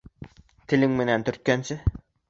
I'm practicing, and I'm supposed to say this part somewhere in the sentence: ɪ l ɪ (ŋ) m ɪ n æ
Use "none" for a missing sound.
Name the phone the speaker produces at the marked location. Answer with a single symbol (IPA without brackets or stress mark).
ŋ